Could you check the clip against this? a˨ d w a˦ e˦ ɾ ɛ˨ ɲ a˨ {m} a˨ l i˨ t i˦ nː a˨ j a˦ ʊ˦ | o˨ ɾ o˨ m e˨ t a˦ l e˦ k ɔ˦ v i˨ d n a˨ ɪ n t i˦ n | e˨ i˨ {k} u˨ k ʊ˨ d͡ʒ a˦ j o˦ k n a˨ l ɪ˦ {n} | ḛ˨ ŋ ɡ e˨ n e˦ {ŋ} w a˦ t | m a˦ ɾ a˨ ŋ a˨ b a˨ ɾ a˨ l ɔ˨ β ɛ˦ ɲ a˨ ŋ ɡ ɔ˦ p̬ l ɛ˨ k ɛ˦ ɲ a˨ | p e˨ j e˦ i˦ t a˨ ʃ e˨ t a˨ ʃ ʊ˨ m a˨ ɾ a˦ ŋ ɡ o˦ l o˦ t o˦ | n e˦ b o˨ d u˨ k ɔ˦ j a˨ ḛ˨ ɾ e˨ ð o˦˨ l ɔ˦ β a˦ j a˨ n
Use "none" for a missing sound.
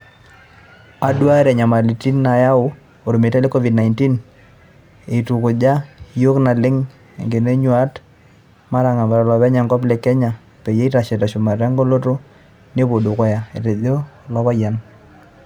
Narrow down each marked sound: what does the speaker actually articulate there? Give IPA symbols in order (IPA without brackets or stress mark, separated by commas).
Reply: m, t, ŋ, ɲ